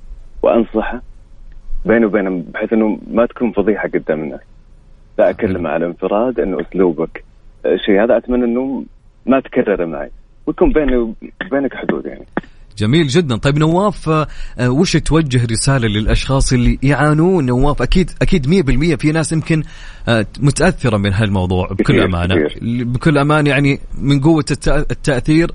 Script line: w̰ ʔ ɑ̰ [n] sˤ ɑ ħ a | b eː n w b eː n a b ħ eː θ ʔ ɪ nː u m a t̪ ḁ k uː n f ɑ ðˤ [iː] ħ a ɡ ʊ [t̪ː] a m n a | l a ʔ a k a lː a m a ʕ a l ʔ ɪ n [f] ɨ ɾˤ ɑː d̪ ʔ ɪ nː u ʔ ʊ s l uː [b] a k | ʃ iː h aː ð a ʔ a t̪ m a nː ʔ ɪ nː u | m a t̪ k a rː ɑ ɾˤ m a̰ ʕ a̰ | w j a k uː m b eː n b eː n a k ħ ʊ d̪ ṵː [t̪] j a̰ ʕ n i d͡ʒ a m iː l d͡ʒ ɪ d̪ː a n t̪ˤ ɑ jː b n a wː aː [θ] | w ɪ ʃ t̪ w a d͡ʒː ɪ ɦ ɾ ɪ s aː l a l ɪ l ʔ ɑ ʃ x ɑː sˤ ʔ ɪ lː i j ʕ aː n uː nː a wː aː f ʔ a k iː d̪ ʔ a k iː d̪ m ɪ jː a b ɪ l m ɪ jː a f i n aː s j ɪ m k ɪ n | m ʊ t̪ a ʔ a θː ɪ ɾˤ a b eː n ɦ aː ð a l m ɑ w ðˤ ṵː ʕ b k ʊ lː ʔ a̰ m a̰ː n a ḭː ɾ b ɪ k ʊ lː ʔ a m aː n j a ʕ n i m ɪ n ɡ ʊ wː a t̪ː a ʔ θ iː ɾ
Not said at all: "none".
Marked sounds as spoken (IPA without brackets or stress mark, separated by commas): n, iː, d̪ː, f, b, d̪, f